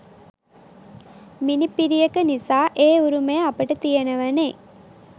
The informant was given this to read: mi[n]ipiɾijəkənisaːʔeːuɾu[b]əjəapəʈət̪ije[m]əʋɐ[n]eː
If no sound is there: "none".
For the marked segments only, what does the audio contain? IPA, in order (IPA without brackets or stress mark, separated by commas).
n, m, n, n